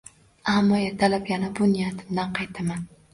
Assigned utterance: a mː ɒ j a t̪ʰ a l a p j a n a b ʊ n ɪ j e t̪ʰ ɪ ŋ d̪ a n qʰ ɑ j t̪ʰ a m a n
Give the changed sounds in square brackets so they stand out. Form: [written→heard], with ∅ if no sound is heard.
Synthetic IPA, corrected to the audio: a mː ɒ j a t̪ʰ a l a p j a n a b ʊ n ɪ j [e→a] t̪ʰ ɪ [ŋ→m] d̪ a n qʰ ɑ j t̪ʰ a m a n